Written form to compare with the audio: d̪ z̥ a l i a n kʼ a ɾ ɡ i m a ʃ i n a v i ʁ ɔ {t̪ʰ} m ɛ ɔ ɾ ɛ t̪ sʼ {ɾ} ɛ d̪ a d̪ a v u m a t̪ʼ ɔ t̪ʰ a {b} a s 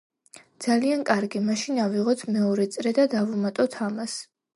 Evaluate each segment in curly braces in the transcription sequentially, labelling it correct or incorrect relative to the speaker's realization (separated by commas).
correct, correct, incorrect